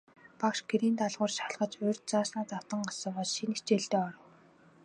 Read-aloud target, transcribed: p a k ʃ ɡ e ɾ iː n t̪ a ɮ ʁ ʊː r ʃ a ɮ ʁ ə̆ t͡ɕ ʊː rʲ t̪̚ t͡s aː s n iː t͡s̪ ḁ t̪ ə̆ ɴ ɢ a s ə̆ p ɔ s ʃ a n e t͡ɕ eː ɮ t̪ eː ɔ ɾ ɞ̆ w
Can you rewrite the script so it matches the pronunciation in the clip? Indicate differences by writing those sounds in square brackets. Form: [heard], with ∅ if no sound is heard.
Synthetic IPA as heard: p a k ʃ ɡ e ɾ iː n t̪ a ɮ ʁ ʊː r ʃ a ɮ ʁ ə̆ t͡ɕ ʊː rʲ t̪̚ t͡s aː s n [aː] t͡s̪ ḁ t̪ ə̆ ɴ ɢ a s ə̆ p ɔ s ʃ [i] n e t͡ɕ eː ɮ t̪ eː ɔ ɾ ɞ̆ w

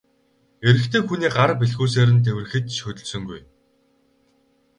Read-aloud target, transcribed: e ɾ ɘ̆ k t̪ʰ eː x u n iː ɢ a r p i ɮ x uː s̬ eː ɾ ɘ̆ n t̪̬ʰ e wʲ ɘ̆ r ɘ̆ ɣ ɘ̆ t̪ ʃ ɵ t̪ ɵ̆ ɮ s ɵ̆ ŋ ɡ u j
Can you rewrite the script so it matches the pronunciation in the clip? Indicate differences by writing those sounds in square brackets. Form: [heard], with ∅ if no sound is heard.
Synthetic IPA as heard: e ɾ ɘ̆ k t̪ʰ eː x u n iː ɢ a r p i ɮ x uː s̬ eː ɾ ɘ̆ n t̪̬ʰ e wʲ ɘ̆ r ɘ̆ [x] ɘ̆ t̪ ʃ ɵ t̪ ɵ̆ ɮ s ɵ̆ ŋ ɡ u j

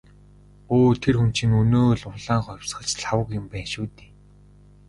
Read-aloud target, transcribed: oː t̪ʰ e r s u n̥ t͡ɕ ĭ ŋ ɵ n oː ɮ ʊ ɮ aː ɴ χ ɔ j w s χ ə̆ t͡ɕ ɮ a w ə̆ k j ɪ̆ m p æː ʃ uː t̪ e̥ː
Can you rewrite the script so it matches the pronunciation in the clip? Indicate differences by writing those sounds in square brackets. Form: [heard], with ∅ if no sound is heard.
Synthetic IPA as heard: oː t̪ʰ e r [x] u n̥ t͡ɕ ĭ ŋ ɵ n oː ɮ ʊ ɮ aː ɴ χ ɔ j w s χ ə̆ t͡ɕ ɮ a w ə̆ k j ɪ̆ m p æː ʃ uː t̪ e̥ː

